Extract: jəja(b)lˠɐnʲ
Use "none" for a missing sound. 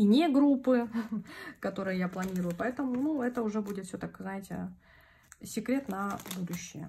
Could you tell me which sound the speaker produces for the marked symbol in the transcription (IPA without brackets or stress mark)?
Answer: p